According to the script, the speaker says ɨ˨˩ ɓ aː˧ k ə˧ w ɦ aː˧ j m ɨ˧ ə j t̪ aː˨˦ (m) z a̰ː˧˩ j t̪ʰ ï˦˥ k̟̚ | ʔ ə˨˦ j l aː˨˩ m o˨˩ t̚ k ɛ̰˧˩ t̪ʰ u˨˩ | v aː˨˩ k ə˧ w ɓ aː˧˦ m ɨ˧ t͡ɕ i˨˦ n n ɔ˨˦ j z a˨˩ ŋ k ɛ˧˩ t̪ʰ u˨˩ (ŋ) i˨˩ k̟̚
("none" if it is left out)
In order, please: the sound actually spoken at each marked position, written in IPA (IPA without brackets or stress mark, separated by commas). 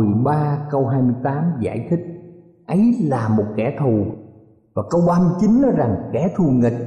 m, ŋ